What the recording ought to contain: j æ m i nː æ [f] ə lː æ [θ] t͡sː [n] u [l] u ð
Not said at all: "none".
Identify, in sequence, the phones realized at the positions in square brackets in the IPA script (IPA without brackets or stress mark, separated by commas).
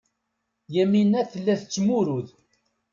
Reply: θ, θ, m, ɾ